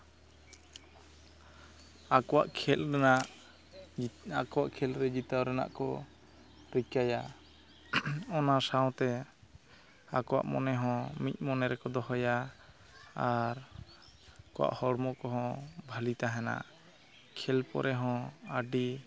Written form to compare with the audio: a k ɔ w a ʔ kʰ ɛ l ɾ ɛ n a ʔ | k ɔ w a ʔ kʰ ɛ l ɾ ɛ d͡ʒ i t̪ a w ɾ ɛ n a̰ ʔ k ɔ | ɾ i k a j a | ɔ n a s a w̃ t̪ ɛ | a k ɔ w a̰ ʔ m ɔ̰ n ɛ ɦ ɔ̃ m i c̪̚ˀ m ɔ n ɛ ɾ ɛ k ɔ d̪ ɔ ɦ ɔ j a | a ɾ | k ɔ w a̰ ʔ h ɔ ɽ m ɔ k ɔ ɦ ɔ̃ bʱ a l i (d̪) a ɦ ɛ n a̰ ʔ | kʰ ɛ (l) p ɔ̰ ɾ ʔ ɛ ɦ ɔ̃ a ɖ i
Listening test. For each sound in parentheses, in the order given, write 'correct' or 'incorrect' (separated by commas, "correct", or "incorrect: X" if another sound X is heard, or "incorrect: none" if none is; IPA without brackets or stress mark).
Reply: incorrect: t̪, correct